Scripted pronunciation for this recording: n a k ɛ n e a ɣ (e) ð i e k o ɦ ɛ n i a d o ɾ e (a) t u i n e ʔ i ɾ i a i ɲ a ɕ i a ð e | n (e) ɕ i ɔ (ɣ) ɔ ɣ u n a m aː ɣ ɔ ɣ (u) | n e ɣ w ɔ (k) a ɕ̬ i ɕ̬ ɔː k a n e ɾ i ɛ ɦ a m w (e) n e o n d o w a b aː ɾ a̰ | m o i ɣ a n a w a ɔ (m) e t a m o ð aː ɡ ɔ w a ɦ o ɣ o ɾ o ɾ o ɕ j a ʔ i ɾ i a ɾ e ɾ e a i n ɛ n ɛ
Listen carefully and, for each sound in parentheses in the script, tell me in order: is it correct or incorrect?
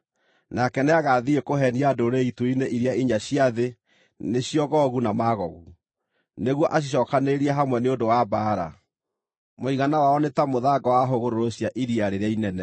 incorrect, incorrect, correct, correct, correct, incorrect, incorrect, incorrect

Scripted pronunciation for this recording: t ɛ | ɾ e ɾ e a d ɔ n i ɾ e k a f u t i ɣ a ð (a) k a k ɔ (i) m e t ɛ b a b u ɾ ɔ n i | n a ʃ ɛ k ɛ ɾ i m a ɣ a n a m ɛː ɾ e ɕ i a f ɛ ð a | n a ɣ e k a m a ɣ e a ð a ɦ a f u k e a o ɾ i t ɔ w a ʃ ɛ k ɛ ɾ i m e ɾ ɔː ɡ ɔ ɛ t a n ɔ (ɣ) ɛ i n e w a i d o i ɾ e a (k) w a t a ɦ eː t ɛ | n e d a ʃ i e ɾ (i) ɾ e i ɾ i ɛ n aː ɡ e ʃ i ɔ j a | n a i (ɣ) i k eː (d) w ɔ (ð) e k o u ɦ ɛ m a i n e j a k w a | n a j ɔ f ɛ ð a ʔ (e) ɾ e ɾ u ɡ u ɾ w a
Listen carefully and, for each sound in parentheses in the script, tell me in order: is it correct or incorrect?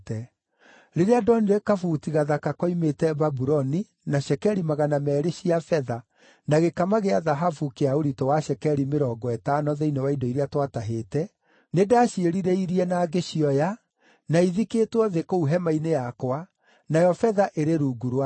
correct, correct, incorrect, incorrect, correct, incorrect, incorrect, correct, correct

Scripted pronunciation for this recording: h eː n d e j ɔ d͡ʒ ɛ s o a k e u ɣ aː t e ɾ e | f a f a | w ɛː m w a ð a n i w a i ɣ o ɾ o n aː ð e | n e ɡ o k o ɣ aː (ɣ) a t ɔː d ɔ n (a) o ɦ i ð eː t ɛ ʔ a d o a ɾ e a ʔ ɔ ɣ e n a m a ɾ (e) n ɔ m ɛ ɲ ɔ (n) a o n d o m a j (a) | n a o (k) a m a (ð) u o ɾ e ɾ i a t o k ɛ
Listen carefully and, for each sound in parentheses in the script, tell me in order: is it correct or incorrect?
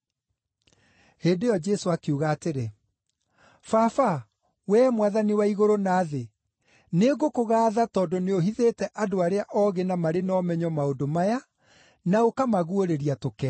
incorrect, incorrect, correct, incorrect, correct, correct, incorrect

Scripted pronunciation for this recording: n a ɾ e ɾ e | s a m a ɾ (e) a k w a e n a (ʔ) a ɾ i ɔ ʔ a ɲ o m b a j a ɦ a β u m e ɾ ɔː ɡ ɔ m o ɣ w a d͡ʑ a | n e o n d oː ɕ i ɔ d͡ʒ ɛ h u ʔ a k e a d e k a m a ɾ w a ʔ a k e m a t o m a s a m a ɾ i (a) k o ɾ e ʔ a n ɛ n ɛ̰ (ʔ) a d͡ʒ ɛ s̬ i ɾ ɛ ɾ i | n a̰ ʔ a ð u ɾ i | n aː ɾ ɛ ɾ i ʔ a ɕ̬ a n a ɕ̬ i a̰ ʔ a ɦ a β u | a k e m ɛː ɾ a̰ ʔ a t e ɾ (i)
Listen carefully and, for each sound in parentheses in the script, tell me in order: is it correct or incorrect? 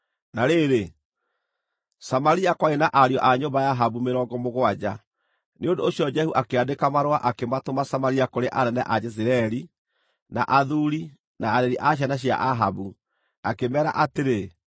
incorrect, correct, correct, correct, incorrect

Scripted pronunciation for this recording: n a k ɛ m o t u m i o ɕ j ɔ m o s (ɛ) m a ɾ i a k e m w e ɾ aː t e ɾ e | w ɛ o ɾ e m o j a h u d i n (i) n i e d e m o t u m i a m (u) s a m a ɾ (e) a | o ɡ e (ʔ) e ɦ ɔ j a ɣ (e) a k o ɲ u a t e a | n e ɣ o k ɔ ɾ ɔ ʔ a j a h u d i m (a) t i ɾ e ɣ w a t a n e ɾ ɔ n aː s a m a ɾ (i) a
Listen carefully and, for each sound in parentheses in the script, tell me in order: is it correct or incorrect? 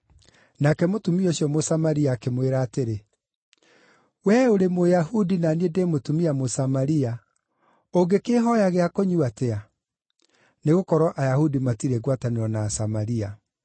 incorrect, incorrect, incorrect, incorrect, incorrect, correct, correct, correct

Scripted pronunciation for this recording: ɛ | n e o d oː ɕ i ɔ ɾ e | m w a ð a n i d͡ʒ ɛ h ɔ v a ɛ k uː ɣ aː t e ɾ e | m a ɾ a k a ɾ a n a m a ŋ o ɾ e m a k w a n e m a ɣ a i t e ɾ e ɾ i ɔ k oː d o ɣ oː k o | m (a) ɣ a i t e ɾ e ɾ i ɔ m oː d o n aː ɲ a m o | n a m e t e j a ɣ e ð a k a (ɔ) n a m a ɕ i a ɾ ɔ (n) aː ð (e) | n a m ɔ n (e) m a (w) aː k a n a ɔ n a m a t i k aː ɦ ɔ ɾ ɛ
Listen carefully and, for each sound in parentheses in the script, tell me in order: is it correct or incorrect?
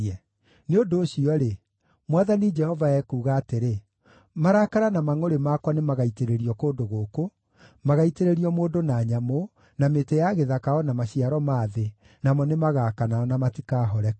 correct, correct, incorrect, correct, correct, incorrect

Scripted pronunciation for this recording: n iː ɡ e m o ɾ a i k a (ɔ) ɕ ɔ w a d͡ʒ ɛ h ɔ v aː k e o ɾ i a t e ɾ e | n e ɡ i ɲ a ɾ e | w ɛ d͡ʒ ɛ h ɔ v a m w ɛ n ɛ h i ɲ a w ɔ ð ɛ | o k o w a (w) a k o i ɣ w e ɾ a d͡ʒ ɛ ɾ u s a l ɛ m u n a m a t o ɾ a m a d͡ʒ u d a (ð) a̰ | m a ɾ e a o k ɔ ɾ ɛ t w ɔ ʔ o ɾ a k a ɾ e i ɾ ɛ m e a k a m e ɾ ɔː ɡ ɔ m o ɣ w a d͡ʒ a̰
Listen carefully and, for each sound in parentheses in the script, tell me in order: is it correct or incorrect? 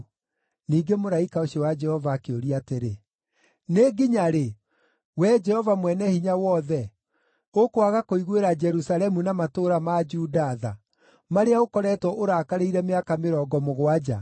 incorrect, incorrect, correct

